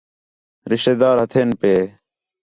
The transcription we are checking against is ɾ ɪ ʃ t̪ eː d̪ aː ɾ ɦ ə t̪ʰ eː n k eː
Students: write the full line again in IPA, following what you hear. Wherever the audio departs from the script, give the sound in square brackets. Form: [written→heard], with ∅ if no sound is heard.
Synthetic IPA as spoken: ɾ ɪ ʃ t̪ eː d̪ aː ɾ ɦ ə t̪ʰ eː n [k→p] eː